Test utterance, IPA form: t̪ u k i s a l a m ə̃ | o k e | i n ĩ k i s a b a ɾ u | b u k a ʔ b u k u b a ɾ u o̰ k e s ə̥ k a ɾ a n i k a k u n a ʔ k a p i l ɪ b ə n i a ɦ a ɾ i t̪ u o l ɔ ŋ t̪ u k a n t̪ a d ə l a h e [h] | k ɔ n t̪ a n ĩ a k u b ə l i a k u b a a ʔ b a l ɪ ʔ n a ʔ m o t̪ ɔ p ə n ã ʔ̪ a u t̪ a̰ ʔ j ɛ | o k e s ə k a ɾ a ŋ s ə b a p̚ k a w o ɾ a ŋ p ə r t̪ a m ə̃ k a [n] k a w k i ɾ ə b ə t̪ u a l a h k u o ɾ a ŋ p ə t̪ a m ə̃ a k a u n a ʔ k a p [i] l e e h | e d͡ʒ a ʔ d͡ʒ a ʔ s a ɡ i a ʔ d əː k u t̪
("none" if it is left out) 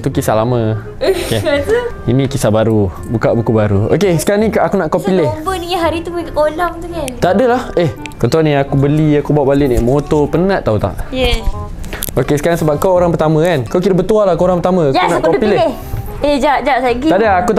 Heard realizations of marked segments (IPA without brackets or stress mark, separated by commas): h, n, i